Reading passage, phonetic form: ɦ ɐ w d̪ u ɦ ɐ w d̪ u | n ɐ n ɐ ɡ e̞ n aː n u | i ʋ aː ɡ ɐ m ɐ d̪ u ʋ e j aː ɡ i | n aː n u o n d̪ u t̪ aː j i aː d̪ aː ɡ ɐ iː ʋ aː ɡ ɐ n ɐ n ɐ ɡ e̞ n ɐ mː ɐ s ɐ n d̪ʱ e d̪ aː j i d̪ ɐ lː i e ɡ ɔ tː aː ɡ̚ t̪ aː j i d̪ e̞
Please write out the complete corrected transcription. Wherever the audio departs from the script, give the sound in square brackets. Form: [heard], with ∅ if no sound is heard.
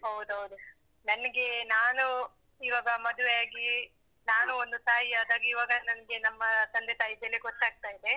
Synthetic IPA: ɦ ɐ w d̪ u ɦ ɐ w d̪ u | n ɐ n ɐ ɡ e̞ n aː n u | i ʋ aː ɡ ɐ m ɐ d̪ u ʋ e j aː ɡ i | n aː n u o n d̪ u t̪ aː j i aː d̪ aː ɡ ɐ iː ʋ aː ɡ ɐ n ɐ n ɐ ɡ e̞ n ɐ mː ɐ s ɐ n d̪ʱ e [t̪] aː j i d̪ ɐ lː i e ɡ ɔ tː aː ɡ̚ t̪ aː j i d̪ e̞